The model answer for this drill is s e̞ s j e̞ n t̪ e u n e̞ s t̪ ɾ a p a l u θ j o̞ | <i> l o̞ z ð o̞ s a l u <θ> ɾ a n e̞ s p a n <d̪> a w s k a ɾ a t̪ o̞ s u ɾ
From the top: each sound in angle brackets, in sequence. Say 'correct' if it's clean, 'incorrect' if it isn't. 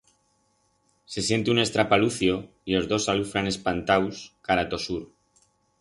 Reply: correct, incorrect: f, incorrect: t̪

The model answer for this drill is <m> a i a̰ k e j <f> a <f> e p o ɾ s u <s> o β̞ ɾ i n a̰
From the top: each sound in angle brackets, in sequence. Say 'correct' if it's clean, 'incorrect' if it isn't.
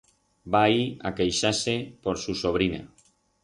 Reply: incorrect: b, incorrect: ʃ, incorrect: s, correct

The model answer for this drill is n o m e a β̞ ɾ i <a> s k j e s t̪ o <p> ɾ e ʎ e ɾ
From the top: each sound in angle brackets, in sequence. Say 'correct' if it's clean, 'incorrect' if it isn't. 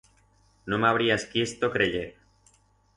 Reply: correct, incorrect: k

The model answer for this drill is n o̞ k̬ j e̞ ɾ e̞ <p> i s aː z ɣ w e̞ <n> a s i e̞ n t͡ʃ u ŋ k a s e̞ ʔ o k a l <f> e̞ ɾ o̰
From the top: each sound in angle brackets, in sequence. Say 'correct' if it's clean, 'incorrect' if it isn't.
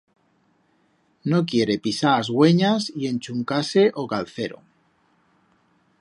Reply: correct, incorrect: ɲ, incorrect: θ

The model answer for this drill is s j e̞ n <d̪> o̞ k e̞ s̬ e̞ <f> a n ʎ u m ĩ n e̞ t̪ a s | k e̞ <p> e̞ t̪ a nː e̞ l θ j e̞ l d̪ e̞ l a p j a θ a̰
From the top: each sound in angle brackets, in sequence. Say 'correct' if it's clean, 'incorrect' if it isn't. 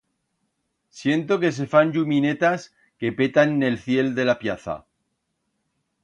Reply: incorrect: t̪, correct, correct

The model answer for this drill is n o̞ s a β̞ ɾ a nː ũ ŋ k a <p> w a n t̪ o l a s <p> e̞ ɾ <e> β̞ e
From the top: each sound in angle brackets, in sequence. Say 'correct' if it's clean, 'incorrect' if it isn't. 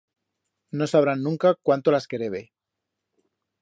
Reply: incorrect: k, incorrect: k, correct

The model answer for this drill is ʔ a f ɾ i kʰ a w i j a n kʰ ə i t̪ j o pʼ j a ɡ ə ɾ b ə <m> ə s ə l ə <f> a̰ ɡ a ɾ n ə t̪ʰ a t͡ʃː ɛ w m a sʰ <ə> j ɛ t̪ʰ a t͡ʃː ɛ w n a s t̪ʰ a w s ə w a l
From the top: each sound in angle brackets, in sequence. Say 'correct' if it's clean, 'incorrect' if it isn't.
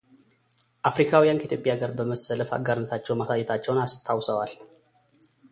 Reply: correct, correct, incorrect: a

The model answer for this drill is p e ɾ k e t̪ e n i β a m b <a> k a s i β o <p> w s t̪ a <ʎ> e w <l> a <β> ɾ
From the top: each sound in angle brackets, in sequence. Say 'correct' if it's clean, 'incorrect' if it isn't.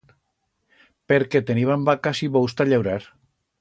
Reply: correct, incorrect: none, correct, incorrect: ɾ, incorrect: none

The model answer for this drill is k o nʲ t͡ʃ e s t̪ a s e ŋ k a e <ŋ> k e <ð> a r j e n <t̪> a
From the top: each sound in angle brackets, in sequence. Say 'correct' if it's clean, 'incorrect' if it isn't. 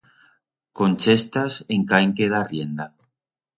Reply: correct, correct, incorrect: d̪

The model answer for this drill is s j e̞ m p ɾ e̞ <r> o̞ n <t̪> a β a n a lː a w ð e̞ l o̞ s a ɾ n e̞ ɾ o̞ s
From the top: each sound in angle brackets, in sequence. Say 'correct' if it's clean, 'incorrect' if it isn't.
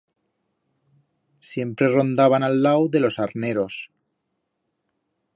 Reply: correct, incorrect: d̪

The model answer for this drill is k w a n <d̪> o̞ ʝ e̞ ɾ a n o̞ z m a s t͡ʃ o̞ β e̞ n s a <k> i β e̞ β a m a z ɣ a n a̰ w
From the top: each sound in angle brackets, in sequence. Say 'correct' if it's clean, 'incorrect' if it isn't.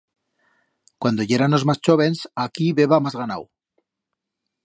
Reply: correct, correct

